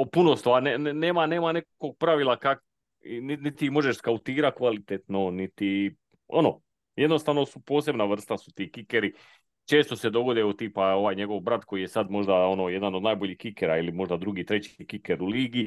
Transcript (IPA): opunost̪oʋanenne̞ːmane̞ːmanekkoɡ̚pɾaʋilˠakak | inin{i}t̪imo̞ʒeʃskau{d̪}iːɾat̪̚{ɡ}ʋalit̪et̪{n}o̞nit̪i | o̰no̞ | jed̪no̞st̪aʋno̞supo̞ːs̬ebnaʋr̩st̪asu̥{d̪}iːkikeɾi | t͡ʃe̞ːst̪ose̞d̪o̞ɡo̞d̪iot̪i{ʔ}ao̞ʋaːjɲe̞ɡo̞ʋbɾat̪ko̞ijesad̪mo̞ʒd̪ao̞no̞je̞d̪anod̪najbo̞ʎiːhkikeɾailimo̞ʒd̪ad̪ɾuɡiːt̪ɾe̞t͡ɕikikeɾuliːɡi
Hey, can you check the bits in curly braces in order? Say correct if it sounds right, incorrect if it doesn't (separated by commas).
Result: correct, incorrect, incorrect, correct, incorrect, incorrect